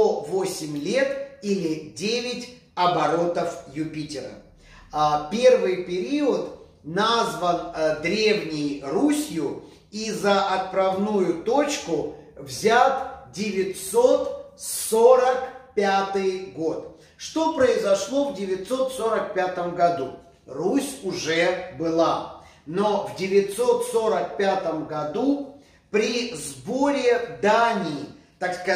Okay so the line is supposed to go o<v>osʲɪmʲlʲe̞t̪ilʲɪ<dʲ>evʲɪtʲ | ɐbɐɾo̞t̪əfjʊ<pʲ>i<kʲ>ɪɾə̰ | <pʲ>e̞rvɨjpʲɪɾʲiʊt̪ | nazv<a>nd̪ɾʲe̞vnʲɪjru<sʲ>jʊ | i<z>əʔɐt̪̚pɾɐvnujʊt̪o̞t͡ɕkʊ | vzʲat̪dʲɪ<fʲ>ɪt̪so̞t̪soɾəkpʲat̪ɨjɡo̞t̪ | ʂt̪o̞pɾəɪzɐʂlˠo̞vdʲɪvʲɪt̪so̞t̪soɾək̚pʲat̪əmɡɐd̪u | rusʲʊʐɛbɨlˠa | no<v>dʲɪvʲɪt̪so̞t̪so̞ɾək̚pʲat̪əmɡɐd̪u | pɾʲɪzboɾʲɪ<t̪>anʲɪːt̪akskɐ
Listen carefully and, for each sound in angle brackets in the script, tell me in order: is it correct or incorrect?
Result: correct, correct, correct, incorrect, correct, incorrect, correct, correct, incorrect, correct, incorrect

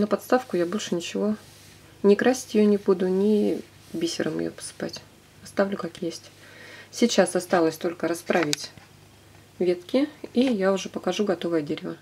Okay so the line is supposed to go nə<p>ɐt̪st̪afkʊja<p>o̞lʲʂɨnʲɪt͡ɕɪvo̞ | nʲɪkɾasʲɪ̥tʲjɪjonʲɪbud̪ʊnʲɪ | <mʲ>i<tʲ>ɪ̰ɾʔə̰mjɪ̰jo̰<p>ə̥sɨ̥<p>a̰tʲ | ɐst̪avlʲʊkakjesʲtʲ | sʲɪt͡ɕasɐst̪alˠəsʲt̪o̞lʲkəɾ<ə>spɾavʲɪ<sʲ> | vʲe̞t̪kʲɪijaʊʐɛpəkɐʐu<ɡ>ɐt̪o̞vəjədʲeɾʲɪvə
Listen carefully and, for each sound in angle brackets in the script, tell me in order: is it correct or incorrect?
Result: correct, incorrect, incorrect, incorrect, correct, correct, incorrect, incorrect, correct

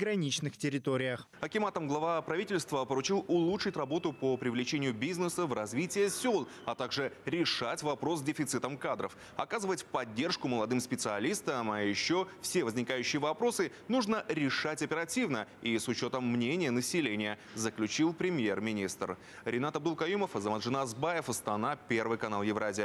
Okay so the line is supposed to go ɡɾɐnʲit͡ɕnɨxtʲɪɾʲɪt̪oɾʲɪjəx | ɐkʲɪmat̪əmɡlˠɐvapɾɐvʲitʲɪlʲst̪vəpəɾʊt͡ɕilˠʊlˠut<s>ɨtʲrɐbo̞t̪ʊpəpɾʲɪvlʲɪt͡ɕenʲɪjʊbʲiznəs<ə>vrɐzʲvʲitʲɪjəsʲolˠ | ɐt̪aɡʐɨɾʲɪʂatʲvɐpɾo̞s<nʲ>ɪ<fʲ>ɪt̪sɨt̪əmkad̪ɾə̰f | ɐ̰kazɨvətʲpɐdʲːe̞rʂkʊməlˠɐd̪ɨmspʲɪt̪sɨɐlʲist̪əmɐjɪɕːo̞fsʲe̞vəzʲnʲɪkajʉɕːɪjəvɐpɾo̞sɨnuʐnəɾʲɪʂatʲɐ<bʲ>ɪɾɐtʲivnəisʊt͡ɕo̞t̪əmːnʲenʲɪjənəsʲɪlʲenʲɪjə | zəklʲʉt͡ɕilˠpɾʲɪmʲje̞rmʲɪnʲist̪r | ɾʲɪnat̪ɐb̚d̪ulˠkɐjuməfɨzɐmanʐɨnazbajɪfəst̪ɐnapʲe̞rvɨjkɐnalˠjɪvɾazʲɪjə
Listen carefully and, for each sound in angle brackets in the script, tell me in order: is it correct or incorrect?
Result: incorrect, correct, incorrect, correct, incorrect

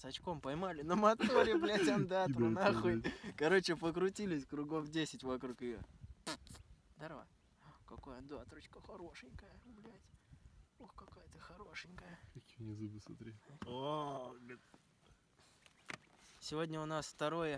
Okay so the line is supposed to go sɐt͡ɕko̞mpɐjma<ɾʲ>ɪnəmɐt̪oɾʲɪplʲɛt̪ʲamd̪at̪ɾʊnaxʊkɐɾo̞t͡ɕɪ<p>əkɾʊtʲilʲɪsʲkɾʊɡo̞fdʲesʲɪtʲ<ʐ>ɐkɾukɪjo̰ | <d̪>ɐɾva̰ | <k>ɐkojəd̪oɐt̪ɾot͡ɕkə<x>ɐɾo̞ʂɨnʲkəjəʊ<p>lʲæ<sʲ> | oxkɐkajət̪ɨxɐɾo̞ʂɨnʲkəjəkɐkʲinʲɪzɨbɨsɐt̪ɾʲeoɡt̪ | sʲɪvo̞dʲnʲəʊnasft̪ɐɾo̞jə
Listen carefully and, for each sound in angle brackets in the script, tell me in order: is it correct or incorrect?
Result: incorrect, correct, incorrect, correct, correct, correct, incorrect, incorrect

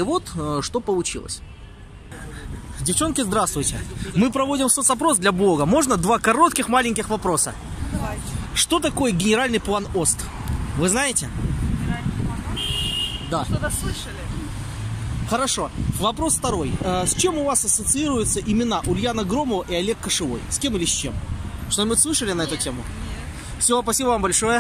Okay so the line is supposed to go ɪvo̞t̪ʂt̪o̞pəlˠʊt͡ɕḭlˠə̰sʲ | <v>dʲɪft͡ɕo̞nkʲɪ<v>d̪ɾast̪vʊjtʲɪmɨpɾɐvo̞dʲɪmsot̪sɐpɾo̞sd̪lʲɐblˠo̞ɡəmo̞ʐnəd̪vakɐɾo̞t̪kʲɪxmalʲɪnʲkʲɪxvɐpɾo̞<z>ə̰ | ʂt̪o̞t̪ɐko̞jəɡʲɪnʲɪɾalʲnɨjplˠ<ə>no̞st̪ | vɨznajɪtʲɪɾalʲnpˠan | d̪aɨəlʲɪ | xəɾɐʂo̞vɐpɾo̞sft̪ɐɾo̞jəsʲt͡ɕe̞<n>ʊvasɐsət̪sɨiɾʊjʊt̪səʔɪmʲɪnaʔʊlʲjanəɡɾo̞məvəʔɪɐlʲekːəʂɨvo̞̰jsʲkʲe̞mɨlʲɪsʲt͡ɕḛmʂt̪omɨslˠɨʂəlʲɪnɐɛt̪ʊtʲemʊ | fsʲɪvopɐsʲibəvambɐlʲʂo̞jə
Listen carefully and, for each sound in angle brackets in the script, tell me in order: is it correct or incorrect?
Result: correct, incorrect, incorrect, incorrect, incorrect

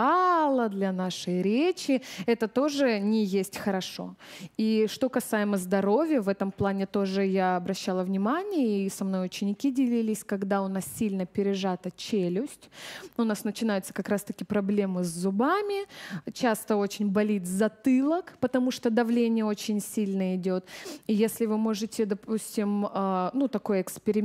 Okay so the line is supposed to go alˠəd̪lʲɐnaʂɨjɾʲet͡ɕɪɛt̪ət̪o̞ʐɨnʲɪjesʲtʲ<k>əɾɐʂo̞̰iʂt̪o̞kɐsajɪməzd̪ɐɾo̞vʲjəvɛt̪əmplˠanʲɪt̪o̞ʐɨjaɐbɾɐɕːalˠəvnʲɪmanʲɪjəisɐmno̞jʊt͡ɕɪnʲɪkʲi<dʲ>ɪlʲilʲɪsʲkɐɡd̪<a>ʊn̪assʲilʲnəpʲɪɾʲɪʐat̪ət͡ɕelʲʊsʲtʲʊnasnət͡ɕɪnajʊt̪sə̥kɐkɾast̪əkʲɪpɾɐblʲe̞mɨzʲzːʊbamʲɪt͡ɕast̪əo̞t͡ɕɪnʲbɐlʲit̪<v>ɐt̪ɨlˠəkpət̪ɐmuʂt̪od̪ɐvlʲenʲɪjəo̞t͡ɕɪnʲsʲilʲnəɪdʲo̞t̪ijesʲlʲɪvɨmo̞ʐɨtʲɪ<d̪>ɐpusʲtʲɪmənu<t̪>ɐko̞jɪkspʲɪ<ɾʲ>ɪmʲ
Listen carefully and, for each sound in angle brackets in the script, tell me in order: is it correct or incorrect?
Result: incorrect, correct, correct, incorrect, correct, correct, correct

